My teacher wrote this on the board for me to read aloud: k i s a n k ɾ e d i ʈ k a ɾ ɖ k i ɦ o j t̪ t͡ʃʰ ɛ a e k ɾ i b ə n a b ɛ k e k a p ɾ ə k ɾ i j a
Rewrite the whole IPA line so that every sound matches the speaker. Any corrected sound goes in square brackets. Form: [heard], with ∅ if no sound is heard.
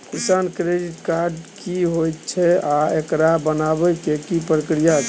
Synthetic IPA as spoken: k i s a n k ɾ e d i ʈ k a ɾ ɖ k i ɦ o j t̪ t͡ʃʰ ɛ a e k ɾ [a] b ə n a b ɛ k e k [i] p ɾ ə k ɾ i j a